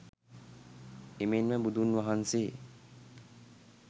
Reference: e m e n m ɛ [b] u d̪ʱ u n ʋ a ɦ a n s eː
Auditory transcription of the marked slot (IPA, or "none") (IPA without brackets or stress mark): b